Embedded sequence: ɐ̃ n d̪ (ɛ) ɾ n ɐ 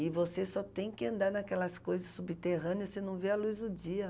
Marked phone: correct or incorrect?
incorrect